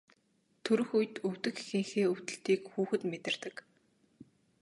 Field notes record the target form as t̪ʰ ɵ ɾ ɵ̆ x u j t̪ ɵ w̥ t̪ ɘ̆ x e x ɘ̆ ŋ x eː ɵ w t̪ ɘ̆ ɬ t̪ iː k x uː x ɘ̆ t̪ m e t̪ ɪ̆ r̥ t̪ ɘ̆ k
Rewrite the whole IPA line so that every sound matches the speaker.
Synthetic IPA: t̪ʰ ɵ ɾ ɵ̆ x u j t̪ ɵ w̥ t̪ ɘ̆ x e x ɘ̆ ŋ x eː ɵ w t̪ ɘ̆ ɬ t̪ iː k x uː x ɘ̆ t̪ m e t̪ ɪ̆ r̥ t̪ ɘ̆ k